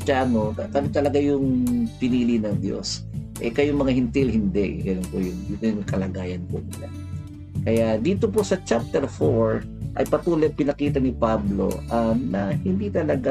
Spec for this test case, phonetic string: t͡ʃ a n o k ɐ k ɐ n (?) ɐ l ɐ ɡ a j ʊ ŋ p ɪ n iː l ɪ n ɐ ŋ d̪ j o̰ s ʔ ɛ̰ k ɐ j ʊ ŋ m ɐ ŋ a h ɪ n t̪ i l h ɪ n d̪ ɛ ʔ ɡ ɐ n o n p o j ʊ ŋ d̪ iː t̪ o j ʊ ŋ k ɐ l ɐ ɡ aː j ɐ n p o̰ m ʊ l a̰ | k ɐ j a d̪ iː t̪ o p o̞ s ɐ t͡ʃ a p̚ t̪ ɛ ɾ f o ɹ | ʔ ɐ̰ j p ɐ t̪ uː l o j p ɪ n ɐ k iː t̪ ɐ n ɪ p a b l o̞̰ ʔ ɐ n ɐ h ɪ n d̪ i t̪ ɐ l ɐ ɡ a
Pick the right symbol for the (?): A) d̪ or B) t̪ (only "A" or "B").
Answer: B